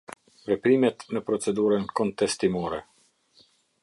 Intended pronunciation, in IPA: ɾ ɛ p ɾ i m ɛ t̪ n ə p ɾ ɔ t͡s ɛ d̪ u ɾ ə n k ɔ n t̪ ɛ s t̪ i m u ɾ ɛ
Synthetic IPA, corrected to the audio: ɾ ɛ p ɾ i m ɛ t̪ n ə p ɾ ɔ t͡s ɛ d̪ u ɾ ə n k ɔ n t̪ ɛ s t̪ i m ɔ ɾ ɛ